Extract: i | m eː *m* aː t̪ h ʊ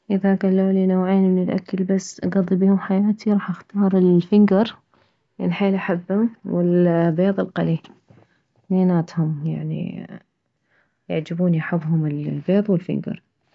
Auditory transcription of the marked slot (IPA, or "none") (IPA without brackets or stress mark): n